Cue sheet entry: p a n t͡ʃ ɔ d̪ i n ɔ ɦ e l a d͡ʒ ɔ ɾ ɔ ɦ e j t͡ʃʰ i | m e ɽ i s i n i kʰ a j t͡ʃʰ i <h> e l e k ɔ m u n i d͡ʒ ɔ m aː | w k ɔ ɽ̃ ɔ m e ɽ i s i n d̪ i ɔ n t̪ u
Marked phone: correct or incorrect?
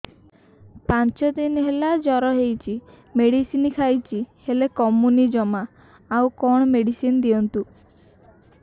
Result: correct